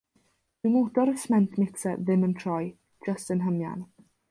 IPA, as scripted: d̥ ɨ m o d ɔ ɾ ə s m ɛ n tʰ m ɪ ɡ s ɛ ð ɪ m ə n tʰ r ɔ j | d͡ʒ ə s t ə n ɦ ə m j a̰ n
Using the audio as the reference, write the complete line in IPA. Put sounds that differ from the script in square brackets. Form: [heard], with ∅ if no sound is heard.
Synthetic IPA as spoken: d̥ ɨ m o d ɔ ɾ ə s m ɛ n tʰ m ɪ [k] s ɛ ð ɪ m ə n tʰ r ɔ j | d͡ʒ ə s t ə n ɦ ə m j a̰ n